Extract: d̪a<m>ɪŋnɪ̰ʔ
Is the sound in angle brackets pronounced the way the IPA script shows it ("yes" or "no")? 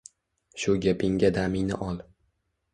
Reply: yes